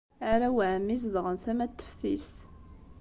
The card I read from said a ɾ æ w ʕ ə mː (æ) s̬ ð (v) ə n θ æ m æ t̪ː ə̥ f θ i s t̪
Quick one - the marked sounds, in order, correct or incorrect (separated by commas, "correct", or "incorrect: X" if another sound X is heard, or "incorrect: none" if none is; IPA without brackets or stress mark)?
incorrect: i, incorrect: ʁ